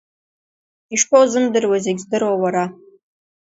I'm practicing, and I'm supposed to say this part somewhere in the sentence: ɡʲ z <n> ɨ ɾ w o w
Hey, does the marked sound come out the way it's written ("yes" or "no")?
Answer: no